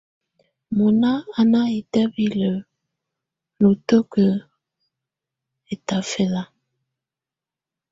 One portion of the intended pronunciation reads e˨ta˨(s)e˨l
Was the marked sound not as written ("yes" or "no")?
yes